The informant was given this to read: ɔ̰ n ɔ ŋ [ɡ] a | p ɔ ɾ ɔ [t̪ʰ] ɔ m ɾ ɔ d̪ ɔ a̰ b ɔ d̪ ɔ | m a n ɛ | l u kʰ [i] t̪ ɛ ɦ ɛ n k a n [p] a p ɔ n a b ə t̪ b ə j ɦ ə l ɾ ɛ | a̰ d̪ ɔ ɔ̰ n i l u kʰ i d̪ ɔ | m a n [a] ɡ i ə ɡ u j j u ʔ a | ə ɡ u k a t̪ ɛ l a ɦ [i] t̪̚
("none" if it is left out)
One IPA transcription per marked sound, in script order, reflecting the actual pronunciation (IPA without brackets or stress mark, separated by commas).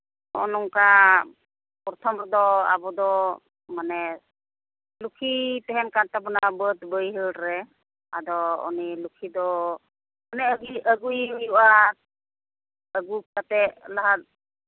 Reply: k, t̪ʰ, i, t, ɛ, a